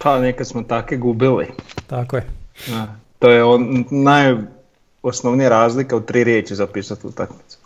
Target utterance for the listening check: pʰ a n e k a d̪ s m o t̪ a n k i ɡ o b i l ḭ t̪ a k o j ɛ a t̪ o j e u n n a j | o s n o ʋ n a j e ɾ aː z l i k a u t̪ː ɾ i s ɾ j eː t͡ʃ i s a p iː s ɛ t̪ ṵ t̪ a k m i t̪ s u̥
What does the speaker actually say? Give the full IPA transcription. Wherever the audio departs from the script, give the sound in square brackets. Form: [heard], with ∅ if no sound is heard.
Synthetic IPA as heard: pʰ a n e k a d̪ s m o t̪ a [∅] k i ɡ [u] b i l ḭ t̪ a k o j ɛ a t̪ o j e [o] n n a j | o s n o ʋ n [i] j [a] ɾ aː z l i k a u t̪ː ɾ i [∅] ɾ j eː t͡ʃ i [z] a p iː s [a] t̪ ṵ t̪ a k m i t̪ s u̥